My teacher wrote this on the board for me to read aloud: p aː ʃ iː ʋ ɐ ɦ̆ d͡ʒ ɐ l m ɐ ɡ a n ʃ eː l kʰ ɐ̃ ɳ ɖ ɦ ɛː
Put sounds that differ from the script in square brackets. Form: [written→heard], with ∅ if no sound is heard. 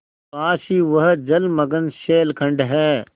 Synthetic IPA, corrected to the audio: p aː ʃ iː ʋ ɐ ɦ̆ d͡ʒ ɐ l m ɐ ɡ [a→ə] n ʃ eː l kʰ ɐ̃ ɳ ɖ ɦ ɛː